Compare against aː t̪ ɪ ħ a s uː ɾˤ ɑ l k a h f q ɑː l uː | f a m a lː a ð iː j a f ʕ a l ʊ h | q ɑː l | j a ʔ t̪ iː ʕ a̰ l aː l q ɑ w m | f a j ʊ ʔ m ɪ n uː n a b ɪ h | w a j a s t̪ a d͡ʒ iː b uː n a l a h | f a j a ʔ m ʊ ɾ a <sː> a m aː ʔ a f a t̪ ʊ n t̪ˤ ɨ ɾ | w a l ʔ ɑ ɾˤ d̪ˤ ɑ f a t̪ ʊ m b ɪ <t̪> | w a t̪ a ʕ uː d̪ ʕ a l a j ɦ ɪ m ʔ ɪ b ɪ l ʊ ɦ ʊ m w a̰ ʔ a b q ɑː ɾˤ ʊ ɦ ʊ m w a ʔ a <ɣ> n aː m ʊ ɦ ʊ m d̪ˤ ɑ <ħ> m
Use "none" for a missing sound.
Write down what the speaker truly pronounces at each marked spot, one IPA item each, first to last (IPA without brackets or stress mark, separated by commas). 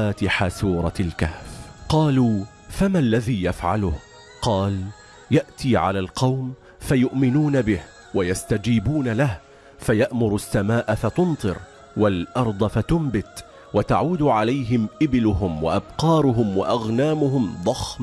sː, t̪, ɣ, x